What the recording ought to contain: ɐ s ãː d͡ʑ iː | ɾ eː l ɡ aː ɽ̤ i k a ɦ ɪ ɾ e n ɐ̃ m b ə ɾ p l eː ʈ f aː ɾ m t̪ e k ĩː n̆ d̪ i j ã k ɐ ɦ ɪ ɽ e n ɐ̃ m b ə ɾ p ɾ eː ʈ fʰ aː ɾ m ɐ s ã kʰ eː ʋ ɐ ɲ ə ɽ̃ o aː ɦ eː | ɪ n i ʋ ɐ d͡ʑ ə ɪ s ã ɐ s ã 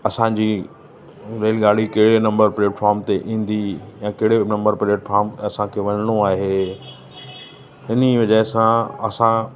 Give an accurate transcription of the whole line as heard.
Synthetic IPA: ɐ s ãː d͡ʑ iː | ɾ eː l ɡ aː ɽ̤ i k ɐ ɦ ɪ ɽ e n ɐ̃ m b ə ɾ p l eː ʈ f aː ɾ m t̪ e ʔ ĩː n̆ d̪ i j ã k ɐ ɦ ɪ ɽ e n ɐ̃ m b ə ɾ p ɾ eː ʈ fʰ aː ɾ m ɐ s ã kʰ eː ʋ ɐ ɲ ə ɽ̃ o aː ɦ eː | ɪ n i ʋ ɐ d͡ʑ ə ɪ s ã ɐ s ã